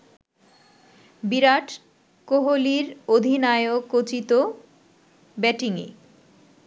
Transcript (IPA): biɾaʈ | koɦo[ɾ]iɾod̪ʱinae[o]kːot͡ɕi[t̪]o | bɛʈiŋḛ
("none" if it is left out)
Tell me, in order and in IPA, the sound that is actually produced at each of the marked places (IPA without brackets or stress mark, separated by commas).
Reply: l, o, t̪